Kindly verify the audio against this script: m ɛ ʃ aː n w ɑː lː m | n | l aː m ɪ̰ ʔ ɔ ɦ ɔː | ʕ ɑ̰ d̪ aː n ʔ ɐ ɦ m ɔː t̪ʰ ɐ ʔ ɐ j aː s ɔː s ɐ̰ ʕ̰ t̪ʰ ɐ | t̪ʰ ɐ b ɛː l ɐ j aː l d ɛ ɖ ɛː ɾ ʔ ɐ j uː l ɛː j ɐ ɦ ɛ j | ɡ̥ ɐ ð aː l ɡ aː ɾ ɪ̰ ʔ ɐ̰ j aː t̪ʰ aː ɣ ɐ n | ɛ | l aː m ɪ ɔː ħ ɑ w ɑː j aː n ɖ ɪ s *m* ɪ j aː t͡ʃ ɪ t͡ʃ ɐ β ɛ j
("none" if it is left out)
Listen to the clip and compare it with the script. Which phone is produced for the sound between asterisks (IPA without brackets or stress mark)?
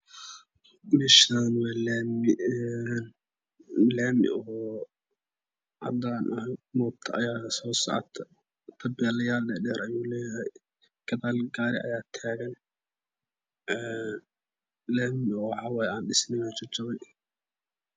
n